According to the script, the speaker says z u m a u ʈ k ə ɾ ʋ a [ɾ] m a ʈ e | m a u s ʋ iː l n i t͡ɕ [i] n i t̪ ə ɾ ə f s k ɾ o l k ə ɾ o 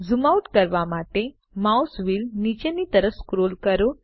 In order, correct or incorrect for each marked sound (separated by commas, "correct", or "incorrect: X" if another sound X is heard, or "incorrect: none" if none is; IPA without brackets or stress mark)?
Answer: incorrect: none, incorrect: e